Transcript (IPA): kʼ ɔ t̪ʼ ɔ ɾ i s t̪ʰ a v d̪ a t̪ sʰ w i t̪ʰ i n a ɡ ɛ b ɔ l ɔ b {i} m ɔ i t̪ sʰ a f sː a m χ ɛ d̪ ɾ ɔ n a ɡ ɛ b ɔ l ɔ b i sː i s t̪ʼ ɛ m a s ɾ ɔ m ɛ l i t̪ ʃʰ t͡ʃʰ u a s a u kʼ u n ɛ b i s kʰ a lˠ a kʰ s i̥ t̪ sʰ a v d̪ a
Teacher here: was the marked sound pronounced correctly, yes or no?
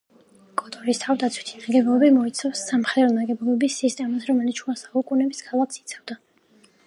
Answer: yes